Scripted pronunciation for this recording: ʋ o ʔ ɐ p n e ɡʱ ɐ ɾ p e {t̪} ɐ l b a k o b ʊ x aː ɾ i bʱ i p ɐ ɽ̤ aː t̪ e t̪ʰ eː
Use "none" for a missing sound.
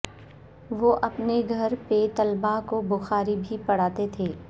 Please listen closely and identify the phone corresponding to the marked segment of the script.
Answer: t̪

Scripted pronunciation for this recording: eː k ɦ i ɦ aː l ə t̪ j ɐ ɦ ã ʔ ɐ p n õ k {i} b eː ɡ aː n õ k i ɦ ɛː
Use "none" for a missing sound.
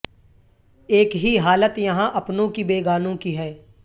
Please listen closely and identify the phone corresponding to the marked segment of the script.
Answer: i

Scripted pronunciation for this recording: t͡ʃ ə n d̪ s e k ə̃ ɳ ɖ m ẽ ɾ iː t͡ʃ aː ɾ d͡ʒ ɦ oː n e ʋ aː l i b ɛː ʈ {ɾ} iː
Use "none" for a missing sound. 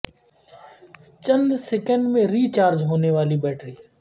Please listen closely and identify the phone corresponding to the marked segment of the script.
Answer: ɾ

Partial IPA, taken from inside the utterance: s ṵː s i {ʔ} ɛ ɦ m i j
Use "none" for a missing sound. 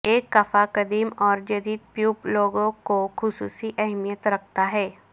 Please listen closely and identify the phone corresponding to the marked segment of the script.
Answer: ʔ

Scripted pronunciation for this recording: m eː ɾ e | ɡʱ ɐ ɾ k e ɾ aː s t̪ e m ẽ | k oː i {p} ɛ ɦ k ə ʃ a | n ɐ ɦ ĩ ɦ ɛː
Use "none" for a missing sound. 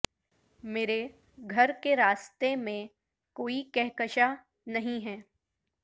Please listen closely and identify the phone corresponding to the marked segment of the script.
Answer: k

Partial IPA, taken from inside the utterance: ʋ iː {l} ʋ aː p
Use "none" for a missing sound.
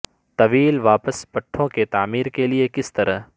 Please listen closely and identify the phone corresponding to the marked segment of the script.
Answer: l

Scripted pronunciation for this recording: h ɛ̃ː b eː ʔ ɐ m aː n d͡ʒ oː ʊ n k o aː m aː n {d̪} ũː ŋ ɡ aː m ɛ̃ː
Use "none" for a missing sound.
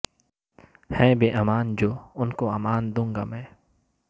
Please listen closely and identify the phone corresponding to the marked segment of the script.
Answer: d̪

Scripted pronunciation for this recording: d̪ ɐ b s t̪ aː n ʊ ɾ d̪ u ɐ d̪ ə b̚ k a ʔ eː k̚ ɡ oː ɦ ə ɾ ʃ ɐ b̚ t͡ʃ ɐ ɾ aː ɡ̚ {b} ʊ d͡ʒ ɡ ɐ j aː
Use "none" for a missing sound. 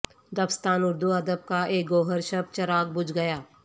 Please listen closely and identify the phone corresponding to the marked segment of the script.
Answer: b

